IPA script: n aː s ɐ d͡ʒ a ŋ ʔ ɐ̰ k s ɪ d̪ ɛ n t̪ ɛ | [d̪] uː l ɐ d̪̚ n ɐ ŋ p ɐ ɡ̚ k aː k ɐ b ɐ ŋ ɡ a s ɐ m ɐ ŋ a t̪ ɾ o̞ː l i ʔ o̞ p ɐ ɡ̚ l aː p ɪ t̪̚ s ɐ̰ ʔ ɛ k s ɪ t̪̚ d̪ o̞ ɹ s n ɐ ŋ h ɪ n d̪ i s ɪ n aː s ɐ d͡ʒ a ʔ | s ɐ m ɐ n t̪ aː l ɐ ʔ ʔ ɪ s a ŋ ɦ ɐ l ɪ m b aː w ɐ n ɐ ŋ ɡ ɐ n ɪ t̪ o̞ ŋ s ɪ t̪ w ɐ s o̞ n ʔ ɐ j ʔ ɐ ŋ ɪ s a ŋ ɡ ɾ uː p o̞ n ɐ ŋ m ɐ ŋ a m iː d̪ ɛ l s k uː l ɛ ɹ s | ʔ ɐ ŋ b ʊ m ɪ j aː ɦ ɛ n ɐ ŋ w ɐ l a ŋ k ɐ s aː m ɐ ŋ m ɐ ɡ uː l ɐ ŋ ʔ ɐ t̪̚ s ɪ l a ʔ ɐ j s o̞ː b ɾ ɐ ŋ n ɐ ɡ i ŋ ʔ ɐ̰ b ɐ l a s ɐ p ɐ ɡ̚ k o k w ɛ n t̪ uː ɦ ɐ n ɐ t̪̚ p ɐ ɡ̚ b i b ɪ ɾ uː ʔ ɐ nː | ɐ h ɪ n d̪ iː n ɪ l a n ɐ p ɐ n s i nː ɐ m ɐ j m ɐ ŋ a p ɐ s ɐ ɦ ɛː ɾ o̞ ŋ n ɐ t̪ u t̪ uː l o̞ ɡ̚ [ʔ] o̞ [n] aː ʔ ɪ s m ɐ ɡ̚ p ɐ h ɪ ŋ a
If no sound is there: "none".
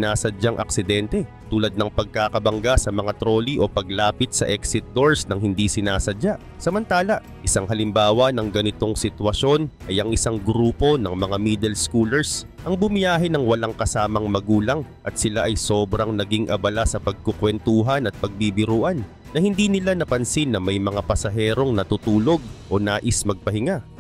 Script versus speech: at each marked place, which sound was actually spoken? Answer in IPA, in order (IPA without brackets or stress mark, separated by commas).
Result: t̪, ʔ, n